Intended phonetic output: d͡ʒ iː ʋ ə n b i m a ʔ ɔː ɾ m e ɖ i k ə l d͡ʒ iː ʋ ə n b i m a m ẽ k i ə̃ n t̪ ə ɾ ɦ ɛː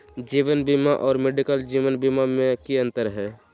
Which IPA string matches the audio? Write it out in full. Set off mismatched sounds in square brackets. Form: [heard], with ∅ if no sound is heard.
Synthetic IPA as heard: d͡ʒ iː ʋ ə n b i m a ʔ ɔː ɾ m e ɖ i k ə l d͡ʒ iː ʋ ə n b i m a m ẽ k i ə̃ n t̪ ə ɾ ɦ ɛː